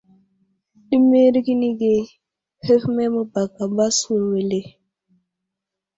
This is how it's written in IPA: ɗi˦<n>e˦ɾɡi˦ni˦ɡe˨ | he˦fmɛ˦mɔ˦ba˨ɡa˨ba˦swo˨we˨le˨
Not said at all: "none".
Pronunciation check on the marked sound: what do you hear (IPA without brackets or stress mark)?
m